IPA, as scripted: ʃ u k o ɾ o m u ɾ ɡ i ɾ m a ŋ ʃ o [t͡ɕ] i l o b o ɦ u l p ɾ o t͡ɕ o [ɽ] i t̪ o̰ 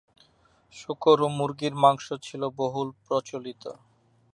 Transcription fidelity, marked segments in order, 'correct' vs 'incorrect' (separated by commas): incorrect, incorrect